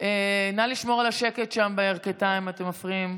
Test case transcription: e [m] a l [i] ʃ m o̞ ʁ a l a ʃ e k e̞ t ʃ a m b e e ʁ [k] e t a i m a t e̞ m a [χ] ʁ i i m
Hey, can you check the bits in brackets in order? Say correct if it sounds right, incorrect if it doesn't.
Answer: incorrect: n, correct, correct, incorrect: f

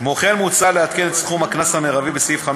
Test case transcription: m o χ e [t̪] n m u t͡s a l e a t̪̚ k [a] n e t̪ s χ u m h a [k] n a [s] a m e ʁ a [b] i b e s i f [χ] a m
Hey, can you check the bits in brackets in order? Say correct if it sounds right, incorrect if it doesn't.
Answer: incorrect: none, incorrect: e, correct, correct, incorrect: v, correct

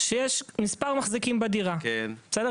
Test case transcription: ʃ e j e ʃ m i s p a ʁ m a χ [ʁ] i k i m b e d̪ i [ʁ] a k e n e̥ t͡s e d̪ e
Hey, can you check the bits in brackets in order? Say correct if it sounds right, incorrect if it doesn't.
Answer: incorrect: z, correct

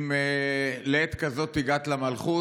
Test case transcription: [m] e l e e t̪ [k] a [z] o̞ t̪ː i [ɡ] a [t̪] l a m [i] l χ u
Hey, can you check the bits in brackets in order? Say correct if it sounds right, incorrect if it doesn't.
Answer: correct, correct, correct, correct, correct, incorrect: a

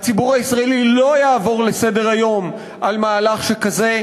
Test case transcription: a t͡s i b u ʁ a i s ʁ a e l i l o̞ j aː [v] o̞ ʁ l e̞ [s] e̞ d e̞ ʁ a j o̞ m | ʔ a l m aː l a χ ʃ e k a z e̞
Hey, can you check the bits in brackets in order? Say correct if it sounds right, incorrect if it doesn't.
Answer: correct, correct

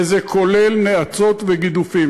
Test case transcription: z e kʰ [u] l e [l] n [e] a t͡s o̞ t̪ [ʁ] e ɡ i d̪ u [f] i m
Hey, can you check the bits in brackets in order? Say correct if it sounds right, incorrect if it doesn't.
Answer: incorrect: o, correct, correct, incorrect: v, correct

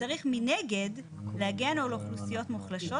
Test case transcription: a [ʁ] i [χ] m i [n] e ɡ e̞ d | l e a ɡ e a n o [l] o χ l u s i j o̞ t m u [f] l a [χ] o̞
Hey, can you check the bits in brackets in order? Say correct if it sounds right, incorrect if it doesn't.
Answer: correct, correct, correct, correct, incorrect: χ, incorrect: ʃ

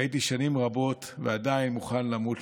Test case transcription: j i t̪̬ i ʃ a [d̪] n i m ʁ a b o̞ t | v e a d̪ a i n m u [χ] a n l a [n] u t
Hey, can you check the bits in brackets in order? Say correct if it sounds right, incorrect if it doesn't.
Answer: incorrect: none, correct, incorrect: m

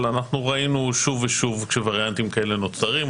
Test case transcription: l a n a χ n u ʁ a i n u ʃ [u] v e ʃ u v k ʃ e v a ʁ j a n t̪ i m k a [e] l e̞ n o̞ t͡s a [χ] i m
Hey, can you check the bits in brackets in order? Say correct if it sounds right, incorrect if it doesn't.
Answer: correct, correct, incorrect: ʁ

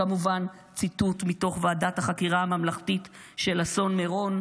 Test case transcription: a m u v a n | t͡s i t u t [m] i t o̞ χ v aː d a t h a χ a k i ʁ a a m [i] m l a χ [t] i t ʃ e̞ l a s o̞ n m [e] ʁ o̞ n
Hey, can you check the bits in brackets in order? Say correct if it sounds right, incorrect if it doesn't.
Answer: correct, incorrect: a, correct, correct

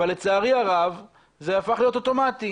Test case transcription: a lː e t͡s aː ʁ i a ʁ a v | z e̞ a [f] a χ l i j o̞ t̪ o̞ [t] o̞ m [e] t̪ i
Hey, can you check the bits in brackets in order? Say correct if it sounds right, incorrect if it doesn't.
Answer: correct, correct, incorrect: a

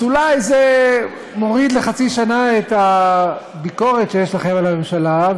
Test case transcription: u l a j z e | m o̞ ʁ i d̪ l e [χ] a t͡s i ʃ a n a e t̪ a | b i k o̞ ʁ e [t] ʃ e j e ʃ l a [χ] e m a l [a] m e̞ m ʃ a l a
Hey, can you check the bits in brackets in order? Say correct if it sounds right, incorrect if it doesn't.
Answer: correct, correct, correct, correct

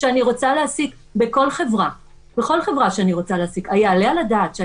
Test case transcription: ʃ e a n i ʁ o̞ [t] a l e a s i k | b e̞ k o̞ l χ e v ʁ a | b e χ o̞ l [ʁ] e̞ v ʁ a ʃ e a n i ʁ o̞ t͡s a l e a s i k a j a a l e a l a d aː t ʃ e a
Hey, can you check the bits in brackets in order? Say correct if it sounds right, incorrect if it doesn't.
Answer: incorrect: t͡s, incorrect: χ

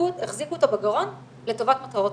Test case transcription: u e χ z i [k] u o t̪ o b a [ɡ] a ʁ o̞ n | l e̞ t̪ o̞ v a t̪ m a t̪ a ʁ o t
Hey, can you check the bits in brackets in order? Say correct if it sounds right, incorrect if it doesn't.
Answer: correct, correct

